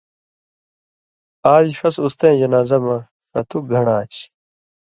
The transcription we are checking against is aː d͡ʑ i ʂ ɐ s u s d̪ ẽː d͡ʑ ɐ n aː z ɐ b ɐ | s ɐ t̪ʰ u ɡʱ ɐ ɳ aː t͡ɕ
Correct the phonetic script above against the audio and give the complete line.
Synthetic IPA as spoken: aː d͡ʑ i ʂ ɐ s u s t̪ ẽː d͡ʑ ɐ n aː z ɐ m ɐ | s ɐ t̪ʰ u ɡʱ ɐ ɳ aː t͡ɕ